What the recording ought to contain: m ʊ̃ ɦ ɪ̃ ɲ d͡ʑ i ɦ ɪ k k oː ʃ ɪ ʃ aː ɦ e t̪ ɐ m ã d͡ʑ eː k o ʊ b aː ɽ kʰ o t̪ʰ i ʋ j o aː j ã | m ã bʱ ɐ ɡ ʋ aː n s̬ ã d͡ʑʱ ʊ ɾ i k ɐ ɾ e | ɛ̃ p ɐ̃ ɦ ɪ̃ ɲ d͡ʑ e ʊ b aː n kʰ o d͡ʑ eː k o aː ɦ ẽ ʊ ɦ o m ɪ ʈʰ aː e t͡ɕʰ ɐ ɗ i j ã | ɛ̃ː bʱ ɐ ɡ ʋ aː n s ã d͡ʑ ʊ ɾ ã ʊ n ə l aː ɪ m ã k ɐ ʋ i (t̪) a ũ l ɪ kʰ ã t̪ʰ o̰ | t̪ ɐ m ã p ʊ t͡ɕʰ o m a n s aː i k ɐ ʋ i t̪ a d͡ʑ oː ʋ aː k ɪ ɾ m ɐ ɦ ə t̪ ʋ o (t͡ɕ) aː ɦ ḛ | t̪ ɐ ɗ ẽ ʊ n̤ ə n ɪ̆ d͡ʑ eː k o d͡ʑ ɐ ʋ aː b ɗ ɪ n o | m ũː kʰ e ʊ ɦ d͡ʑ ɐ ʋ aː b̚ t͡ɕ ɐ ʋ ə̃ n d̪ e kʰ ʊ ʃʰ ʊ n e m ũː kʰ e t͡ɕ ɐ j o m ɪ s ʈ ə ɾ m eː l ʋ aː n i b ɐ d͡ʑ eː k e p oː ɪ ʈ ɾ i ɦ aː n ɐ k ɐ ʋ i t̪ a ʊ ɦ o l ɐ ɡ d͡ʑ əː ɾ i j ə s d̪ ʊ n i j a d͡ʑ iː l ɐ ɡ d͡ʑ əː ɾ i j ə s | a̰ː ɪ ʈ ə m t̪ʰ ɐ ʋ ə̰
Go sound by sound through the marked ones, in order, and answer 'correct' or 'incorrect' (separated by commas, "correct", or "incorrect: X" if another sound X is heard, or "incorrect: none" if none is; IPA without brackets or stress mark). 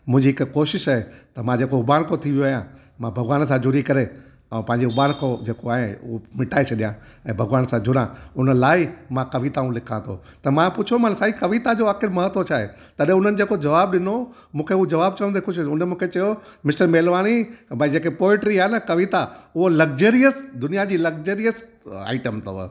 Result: correct, incorrect: t͡ɕʰ